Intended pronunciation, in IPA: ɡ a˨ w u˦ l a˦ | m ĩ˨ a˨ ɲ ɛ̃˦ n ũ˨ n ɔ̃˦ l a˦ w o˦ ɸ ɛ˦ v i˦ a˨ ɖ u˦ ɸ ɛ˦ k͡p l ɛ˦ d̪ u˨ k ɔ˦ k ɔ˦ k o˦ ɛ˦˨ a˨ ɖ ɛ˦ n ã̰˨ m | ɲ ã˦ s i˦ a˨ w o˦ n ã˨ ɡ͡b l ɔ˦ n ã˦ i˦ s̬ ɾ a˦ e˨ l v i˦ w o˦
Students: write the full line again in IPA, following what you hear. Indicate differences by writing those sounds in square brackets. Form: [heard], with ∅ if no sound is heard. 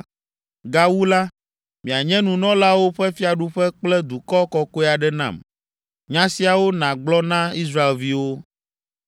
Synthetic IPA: ɡ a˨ w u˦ l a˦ | m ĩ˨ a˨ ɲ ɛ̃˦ n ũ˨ n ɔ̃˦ l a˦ w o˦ ɸ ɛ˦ [f] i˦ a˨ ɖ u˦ ɸ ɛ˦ k͡p l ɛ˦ d̪ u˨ k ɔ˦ k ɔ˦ k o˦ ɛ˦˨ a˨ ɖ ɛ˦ n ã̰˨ m | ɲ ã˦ s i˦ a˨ w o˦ n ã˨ ɡ͡b l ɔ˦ n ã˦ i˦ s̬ ɾ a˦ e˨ l v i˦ w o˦

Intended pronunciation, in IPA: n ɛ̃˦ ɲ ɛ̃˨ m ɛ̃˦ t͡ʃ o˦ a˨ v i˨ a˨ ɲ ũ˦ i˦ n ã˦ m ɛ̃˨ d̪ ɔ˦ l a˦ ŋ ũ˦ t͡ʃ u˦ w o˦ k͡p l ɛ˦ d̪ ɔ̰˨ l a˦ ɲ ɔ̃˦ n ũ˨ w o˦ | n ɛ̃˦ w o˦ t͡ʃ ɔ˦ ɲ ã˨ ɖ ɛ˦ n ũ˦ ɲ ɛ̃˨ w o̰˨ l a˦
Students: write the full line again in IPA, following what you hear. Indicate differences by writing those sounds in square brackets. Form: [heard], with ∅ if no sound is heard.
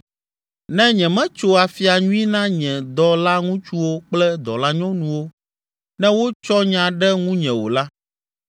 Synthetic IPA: n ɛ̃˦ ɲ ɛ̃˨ m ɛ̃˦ t͡ʃ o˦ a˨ [f] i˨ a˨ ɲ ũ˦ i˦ n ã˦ [ɲ] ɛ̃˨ d̪ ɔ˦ l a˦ ŋ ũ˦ t͡ʃ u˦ w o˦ k͡p l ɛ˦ d̪ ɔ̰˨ l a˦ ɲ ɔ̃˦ n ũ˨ w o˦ | n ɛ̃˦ w o˦ t͡ʃ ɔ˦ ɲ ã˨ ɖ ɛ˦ [ŋ] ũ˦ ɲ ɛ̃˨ w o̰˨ l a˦

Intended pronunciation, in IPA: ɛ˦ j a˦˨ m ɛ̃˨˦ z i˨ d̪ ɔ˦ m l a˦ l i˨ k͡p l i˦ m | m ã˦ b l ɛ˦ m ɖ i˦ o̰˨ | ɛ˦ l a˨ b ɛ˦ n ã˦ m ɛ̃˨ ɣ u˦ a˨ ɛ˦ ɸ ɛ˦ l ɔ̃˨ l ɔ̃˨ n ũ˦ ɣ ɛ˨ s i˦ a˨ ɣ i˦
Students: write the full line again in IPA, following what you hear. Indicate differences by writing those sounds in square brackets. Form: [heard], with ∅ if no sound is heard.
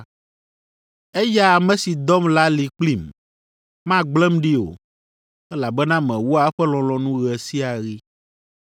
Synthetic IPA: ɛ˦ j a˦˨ m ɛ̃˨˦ [s] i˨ d̪ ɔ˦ m l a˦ l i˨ k͡p l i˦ m | m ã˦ [ɡ͡b] l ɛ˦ m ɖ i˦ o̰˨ | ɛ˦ l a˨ b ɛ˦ n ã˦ m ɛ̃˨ [w] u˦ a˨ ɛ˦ ɸ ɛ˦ l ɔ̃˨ l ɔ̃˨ n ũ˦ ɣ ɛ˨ s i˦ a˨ ɣ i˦

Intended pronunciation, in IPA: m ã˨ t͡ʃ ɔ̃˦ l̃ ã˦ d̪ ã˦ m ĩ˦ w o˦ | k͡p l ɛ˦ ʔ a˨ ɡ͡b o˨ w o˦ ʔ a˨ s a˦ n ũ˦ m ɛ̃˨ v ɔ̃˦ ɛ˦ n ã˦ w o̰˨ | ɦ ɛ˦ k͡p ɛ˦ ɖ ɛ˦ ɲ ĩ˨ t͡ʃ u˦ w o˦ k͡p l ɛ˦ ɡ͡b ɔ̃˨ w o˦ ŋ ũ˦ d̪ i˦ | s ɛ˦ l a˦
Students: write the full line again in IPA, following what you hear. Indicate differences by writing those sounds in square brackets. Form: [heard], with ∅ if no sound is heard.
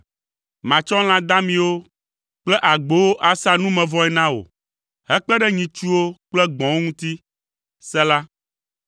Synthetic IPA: m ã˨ t͡ʃ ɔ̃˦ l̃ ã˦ d̪ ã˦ m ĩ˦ w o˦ | k͡p l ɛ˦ ʔ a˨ ɡ͡b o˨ w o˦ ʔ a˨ s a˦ n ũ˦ m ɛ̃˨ v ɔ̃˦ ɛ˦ n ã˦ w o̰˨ | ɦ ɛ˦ k͡p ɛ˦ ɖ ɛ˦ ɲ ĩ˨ t͡ʃ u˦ w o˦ k͡p l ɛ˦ ɡ͡b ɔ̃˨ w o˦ ŋ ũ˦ [t̪] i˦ | s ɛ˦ l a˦

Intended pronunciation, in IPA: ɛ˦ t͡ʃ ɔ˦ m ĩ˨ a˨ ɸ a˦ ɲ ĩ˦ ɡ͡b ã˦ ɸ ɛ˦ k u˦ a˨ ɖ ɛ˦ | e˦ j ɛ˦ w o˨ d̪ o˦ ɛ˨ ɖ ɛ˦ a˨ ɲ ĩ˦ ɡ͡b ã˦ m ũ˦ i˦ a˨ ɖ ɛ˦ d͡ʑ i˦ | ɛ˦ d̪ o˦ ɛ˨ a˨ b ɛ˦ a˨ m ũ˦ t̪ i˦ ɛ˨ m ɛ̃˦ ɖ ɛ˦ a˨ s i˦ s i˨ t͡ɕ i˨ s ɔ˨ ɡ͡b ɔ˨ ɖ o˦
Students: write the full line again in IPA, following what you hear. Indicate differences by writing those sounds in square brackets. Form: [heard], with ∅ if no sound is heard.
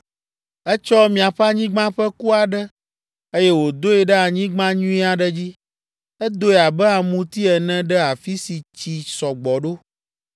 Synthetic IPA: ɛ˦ t͡ʃ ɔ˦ m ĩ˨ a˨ ɸ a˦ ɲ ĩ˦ ɡ͡b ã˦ ɸ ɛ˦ k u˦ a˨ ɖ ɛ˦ | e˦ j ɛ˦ w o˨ d̪ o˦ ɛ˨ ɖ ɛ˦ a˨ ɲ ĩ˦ ɡ͡b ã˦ [ɲ] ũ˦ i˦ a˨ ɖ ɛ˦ d͡ʑ i˦ | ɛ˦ d̪ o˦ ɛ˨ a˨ b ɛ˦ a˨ m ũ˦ t̪ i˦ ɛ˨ [n] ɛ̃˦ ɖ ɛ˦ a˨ [f] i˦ s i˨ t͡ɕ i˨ s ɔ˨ ɡ͡b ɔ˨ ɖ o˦

